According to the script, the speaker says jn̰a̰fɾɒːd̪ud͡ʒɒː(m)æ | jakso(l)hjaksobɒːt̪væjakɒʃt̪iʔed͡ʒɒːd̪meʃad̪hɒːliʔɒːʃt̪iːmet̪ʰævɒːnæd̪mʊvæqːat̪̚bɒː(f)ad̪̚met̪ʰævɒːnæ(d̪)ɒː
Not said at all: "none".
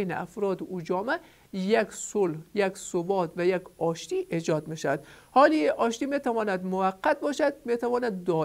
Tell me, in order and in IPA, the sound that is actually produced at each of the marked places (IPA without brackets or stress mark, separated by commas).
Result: m, l, ʃ, d̪ː